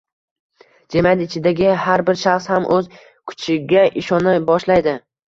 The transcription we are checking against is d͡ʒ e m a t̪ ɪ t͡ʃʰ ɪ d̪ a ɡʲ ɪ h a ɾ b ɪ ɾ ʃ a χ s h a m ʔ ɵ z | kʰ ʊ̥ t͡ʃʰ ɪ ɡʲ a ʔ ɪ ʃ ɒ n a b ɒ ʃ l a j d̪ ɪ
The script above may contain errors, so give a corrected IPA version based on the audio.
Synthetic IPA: d͡ʒ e m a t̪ ɪ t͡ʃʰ ɪ d̪ a ɡʲ ɪ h a ɾ b ɪ ɾ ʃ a χ s h a m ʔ ɵ z | kʰ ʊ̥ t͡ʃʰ ɪ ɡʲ a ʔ ɪ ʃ ɒ n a b ɒ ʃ l a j d̪ ɪ

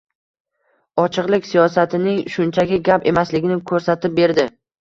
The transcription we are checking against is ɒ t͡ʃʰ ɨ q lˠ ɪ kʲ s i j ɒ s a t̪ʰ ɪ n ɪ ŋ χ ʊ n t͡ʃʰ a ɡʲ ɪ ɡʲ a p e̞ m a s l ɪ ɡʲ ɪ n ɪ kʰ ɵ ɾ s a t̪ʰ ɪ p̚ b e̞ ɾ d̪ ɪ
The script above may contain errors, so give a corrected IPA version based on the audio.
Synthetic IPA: ɒ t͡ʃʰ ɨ q lˠ ɪ kʲ s i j ɒ s a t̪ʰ ɪ n ɪ ŋ ʃ ʊ n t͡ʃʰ a ɡʲ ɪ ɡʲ a p e̞ m a s l ɪ ɡʲ ɪ n ɪ kʰ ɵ ɾ s a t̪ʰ ɪ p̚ b e̞ ɾ d̪ ɪ

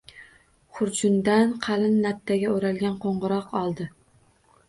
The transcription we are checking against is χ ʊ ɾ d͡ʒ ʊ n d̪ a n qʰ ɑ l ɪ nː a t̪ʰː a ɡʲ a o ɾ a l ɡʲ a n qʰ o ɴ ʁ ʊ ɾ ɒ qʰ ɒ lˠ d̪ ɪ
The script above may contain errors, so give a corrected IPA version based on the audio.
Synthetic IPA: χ ʊ ɾ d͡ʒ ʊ n d̪ a n qʰ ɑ l ɪ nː a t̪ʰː a ɡʲ a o ɾ a l ɡʲ a n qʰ o ɴ ʁ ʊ ɾ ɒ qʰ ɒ lˠ d̪ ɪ

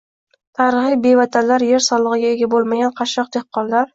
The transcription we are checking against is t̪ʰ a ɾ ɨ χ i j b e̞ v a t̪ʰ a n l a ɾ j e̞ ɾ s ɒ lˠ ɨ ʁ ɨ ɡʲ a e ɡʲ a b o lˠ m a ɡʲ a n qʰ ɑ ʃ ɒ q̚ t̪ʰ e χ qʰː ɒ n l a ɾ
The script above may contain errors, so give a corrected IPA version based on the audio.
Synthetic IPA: t̪ʰ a ɾ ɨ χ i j b e̞ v a t̪ʰ a n l a ɾ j e̞ ɾ s ɒ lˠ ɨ ʁ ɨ ɡʲ a e ɡʲ a b o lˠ m a ɡʲ a n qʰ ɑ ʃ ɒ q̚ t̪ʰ e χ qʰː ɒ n l a ɾ

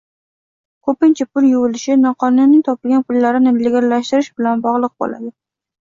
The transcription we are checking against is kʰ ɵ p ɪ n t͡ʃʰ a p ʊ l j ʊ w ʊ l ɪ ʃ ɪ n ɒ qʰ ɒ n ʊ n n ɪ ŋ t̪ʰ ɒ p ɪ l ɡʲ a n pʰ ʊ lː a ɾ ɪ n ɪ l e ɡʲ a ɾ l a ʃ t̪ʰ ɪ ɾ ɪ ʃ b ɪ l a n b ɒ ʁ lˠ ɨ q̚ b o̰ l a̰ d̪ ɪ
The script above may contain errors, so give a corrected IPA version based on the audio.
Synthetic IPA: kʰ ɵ p ɪ n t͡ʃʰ a p ʊ l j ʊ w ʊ l ɪ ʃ ɪ n ɒ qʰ ɒ n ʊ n n ɪ ŋ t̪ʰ ɒ p ɪ l ɡʲ a n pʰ ʊ lː a ɾ ɪ n ɪ l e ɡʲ a ɾ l a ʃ t̪ ɪ ɾ ɪ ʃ b ɪ l a n b ɒ ʁ lˠ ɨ q̚ b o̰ l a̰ d̪ ɪ

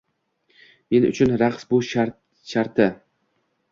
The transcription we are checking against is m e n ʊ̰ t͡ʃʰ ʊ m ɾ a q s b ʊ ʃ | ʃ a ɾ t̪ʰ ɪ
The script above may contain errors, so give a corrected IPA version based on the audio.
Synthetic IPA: m e n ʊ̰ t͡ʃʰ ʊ n ɾ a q s b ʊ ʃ | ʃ a ɾ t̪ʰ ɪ

